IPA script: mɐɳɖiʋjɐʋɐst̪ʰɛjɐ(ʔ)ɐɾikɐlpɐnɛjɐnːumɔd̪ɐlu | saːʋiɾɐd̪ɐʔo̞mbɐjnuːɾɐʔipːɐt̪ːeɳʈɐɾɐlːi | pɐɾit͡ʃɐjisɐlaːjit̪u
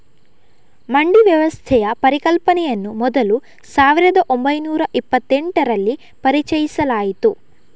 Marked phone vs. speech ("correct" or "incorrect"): incorrect